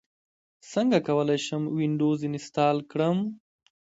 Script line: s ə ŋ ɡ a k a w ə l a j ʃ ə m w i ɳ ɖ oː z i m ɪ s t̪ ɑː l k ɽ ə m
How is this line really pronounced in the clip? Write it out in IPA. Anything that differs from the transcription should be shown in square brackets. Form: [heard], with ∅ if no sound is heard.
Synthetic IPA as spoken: s ə ŋ ɡ a k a w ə l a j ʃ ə m w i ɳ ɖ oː z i [n] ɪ s t̪ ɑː l k ɽ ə m